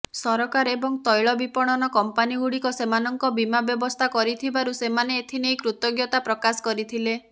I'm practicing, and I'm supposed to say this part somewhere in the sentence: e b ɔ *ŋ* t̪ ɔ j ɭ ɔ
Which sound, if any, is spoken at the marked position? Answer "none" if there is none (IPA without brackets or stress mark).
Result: ŋ